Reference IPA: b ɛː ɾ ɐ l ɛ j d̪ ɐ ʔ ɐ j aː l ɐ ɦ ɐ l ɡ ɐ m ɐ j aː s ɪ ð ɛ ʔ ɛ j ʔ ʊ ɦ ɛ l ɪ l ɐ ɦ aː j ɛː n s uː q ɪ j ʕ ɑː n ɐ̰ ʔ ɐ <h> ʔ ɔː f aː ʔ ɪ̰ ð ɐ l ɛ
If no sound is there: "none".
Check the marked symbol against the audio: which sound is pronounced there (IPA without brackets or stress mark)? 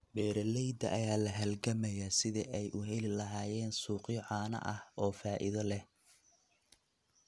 h